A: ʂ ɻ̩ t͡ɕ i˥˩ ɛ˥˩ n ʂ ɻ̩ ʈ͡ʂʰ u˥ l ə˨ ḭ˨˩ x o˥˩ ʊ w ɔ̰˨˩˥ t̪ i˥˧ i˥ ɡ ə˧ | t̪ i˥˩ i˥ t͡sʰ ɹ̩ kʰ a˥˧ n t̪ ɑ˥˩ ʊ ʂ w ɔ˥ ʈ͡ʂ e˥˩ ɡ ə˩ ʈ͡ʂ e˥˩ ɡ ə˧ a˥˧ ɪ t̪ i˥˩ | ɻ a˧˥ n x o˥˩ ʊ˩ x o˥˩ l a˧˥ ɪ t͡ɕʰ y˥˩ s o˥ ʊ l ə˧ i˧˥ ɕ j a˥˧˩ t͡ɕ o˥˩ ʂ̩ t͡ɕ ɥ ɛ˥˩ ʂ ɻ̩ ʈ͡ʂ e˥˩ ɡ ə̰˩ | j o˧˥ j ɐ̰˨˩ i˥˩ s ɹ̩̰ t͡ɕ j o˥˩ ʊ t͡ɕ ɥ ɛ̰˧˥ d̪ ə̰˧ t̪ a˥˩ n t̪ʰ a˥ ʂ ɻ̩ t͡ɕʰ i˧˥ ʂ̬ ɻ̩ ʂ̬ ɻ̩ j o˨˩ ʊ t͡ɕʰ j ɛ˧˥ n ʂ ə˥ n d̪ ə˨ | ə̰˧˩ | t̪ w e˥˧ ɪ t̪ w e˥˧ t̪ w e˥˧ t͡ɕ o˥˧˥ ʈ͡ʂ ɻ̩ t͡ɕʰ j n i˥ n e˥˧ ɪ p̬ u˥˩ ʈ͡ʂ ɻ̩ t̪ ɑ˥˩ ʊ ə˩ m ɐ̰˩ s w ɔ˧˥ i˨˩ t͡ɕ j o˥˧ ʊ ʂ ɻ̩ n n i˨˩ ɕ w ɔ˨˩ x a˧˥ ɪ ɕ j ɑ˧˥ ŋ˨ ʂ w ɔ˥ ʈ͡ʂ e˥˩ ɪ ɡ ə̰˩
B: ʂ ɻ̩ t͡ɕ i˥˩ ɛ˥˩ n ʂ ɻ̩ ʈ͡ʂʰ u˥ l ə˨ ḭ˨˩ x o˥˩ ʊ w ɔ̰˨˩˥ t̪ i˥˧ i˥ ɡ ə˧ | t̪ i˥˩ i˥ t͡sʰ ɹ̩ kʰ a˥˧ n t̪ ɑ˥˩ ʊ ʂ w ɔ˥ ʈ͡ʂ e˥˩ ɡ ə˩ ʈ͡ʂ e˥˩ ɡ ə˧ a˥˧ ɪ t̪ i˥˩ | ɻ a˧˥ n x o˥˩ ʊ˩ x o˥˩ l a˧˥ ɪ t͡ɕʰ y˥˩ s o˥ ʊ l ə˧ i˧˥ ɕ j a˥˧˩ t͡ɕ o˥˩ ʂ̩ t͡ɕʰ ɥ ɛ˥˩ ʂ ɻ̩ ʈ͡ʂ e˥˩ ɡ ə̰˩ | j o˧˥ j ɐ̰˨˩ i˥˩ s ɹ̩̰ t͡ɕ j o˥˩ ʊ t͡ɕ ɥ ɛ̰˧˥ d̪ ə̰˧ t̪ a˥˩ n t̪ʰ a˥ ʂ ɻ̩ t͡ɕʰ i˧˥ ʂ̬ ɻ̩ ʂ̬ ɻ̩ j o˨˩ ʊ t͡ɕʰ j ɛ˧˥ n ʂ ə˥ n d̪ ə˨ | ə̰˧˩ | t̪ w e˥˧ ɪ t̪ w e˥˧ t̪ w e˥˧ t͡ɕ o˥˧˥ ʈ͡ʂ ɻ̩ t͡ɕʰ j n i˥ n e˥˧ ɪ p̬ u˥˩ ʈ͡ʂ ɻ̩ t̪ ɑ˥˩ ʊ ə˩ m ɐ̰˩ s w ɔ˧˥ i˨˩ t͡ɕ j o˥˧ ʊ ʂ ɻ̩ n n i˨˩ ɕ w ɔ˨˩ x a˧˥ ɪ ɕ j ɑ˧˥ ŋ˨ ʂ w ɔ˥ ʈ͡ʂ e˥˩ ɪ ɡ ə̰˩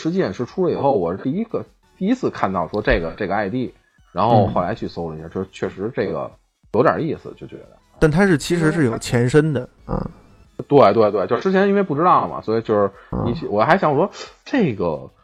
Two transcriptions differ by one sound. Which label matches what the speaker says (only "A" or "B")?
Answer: B